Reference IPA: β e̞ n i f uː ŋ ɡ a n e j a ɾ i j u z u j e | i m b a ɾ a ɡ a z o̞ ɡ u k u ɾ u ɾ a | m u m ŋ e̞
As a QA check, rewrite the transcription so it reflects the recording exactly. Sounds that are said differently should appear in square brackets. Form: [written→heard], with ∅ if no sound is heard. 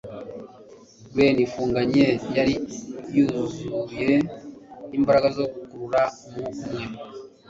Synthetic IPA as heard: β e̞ n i f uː ŋ ɡ a [n→ɲ] e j a ɾ i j u z u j e | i m b a ɾ a ɡ a z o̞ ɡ u k u ɾ u ɾ a | m u m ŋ e̞

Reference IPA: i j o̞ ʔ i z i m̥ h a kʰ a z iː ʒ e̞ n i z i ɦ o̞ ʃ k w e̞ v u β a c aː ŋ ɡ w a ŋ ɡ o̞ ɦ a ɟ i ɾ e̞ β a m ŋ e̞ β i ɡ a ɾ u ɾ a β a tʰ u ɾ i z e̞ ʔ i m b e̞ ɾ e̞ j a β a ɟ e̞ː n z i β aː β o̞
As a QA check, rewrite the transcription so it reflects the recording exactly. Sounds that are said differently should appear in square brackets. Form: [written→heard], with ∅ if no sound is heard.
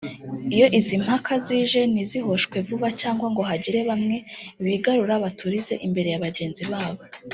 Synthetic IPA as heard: i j o̞ ʔ i z i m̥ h a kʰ a z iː ʒ e̞ n i z i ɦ o̞ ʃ k w e̞ v u β a c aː ŋ ɡ w a ŋ ɡ o̞ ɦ a ɟ i ɾ e̞ β a m ŋ e̞ β i ɡ a ɾ u ɾ a β a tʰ u ɾ i z e̞ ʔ i m b e̞ ɾ e̞ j a β a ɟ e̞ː n z i β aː β o̞

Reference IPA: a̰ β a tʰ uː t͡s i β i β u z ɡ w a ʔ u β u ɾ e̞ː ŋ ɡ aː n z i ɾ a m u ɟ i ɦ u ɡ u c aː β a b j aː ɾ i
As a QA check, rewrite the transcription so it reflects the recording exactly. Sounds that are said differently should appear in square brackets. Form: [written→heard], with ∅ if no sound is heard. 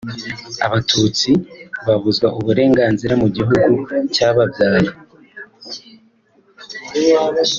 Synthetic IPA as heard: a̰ β a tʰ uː t͡s i β [i→a] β u z ɡ w a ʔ u β u ɾ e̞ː ŋ ɡ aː n z i ɾ a m u ɟ i ɦ u ɡ u c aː β a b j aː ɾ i

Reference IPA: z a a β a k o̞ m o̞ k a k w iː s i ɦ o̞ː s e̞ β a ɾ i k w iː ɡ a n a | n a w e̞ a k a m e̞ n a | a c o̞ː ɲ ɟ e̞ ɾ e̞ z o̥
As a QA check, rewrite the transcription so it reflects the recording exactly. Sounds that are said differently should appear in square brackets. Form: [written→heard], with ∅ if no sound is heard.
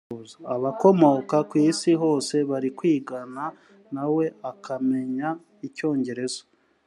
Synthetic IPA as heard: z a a β a k o̞ m o̞ k a k w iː s i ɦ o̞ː s e̞ β a ɾ i k w iː ɡ a n a | n a w e̞ a k a m e̞ [n→ɲ] a | [a→i] c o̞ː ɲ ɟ e̞ ɾ e̞ z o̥

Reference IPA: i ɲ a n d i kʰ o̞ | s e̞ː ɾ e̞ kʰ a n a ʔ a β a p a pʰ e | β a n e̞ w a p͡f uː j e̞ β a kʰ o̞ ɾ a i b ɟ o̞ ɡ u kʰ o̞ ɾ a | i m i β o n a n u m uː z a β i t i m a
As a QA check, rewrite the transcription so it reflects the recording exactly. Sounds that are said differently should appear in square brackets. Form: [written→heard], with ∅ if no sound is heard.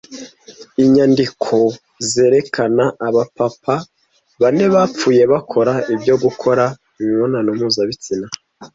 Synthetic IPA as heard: i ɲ a n d i kʰ o̞ | [s→z] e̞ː ɾ e̞ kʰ a n a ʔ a β a p a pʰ [e→a] | β a n e̞ [w→β] a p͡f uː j e̞ β a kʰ o̞ ɾ a i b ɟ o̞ ɡ u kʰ o̞ ɾ a | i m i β o n a n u m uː z a β i [t→t͡s] i [m→n] a

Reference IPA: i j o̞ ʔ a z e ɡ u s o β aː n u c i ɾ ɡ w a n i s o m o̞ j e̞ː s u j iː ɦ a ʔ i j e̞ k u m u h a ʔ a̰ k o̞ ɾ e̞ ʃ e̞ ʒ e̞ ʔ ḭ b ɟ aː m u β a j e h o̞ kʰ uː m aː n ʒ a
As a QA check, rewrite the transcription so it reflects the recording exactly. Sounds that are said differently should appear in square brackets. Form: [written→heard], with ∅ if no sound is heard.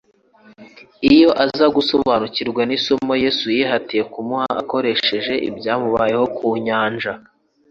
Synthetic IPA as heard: i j o̞ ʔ a z [e→a] ɡ u s o β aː n u c i ɾ ɡ w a n i s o m o̞ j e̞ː s u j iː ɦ a [ʔ→t] i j e̞ k u m u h a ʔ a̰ k o̞ ɾ e̞ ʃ e̞ ʒ e̞ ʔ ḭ b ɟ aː m u β a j e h o̞ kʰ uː [m→ɲ] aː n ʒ a

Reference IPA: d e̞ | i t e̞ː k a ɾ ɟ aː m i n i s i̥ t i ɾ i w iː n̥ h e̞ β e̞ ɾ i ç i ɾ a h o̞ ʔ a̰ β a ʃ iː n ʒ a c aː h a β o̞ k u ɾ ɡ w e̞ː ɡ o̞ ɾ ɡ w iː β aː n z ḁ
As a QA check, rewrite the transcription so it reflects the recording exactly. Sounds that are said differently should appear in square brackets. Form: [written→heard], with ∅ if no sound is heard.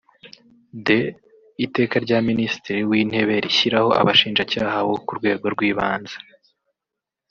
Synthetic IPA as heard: d e̞ | i t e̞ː k a ɾ ɟ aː m i n i s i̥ t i ɾ i w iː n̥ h e̞ β e̞ ɾ i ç i ɾ a h o̞ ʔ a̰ β a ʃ iː n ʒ a c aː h a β o̞ k u ɾ ɡ w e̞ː ɡ o̞ ɾ ɡ w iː β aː n z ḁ

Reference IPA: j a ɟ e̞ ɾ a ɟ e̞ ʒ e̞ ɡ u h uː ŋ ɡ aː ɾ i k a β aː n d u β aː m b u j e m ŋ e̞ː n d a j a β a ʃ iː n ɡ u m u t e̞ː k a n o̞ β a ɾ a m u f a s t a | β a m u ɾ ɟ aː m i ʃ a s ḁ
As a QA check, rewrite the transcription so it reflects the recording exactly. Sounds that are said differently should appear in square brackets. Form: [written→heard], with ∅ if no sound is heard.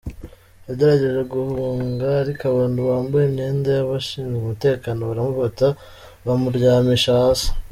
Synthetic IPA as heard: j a ɟ e̞ ɾ a ɟ e̞ ʒ e̞ ɡ u h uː ŋ ɡ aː ɾ i k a β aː n d u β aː m b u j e m [ŋ→ɲ] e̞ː n d a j a β a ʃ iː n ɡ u m u t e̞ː k a n o̞ β a ɾ a m u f a [s→∅] t a | β a m u ɾ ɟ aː m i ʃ a s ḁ

